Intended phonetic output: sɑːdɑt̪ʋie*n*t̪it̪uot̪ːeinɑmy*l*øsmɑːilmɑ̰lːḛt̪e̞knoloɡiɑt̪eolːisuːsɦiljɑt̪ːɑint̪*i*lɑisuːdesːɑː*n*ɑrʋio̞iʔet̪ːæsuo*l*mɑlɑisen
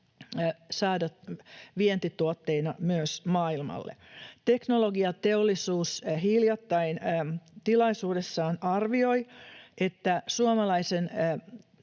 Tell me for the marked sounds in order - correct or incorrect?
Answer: correct, incorrect, correct, correct, incorrect

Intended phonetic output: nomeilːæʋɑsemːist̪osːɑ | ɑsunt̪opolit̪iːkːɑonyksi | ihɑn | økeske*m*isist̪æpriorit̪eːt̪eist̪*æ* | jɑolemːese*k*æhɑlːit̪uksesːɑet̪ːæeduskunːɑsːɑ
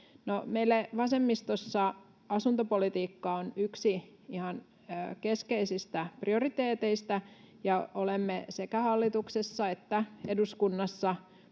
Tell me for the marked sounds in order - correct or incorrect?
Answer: incorrect, correct, correct

